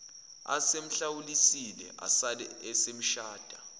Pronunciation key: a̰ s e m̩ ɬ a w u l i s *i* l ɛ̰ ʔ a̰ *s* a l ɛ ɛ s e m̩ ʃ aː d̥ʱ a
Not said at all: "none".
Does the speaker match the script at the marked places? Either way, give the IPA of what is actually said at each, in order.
i, s

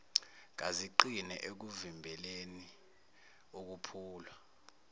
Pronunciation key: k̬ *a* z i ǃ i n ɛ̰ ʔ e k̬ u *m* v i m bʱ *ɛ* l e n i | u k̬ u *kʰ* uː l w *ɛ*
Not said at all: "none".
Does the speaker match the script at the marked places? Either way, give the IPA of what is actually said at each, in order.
a, none, ɛ, pʰ, a

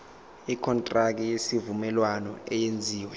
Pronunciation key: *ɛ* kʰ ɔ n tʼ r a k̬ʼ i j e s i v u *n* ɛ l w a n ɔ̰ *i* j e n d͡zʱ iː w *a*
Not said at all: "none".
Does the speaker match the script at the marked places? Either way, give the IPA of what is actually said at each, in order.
i, m, ɛ, ɛ

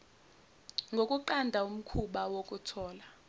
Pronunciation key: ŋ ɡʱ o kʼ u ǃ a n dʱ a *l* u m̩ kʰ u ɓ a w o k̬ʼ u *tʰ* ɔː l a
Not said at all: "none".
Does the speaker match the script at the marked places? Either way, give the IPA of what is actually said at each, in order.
none, tʰ

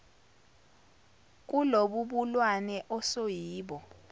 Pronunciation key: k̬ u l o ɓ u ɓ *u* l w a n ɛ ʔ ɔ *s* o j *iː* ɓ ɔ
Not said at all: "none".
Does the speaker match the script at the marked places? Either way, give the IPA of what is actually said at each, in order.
u, s, iː

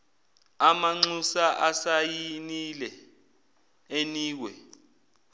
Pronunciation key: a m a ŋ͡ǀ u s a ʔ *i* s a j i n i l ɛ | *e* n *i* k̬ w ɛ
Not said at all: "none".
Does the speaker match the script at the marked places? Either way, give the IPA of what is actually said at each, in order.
a, e, iː

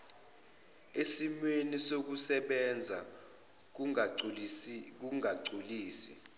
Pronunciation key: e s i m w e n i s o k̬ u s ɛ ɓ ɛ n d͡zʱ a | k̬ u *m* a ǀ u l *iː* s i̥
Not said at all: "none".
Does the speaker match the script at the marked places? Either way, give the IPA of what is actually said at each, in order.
ŋ, iː

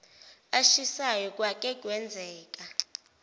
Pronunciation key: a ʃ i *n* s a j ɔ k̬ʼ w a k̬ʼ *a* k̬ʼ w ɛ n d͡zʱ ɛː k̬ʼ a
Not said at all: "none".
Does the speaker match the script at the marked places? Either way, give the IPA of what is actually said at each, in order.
none, ɛ

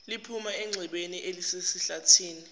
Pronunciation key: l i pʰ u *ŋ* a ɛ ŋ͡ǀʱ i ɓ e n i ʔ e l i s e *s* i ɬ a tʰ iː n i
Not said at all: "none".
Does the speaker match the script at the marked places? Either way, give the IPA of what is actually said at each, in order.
m, s

